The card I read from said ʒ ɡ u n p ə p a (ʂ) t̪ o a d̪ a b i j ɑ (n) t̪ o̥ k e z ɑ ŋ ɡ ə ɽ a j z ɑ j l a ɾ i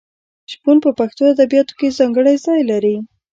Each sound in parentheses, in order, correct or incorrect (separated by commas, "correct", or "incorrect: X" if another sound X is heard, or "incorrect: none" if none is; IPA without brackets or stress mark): incorrect: x, incorrect: none